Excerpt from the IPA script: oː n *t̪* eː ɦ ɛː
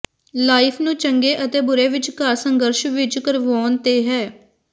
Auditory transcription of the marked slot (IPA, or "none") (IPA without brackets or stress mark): t̪